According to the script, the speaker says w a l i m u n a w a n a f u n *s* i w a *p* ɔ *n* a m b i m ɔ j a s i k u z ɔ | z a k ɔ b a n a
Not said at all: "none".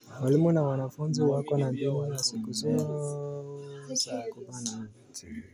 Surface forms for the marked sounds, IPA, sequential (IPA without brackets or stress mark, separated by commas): z, k, n